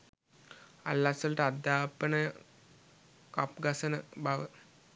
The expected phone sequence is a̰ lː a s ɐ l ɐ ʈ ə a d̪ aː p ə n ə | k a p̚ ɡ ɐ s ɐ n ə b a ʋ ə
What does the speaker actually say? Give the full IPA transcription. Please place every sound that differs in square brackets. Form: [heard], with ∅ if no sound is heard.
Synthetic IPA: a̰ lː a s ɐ l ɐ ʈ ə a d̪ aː p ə n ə | k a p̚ ɡ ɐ s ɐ n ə b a ʋ ə